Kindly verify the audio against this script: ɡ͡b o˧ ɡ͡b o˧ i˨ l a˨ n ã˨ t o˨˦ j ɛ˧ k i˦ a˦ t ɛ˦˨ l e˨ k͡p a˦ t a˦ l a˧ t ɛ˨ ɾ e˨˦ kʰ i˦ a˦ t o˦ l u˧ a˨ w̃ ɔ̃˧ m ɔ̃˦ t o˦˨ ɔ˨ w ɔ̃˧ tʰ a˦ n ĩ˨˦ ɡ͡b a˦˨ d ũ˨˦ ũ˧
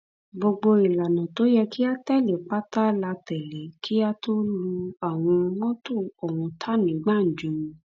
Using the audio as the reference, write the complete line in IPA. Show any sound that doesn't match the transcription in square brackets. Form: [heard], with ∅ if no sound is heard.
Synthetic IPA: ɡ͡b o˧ ɡ͡b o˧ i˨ l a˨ n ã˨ t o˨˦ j ɛ˧ k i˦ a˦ t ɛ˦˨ l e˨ k͡p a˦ t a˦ l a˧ t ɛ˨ [l] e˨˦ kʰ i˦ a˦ t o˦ l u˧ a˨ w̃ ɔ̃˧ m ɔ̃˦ t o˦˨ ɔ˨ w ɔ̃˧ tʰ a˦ n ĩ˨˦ ɡ͡b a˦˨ [d͡ʒ] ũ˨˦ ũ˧